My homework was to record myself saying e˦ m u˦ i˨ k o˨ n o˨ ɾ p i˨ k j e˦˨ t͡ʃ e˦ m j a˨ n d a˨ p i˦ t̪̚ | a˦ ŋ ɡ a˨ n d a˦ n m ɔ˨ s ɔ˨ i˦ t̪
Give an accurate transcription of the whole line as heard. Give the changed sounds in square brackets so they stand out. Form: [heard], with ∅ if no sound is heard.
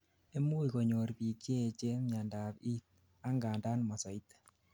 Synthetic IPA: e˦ m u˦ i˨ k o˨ [ɲ] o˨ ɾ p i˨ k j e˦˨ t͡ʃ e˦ m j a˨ n d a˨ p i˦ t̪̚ | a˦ ŋ ɡ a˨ n d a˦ n m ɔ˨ s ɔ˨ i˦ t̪